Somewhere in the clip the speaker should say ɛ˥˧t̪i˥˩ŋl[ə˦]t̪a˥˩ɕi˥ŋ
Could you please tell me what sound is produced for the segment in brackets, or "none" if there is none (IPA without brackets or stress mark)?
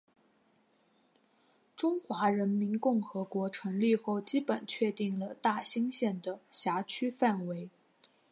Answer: ə˩